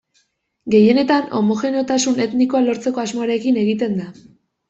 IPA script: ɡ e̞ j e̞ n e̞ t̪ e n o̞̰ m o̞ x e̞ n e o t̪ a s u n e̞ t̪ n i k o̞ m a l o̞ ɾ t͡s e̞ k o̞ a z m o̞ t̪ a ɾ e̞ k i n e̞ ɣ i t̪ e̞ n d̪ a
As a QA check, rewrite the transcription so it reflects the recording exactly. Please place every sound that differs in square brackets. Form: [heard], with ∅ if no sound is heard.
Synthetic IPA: ɡ e̞ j e̞ n e̞ t̪ [a] n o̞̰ m o̞ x e̞ n e o t̪ a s u n e̞ t̪ n i k o̞ [∅] a l o̞ ɾ t͡s e̞ k o̞ a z m o̞ [∅] a ɾ e̞ k i n e̞ ɣ i t̪ e̞ n d̪ a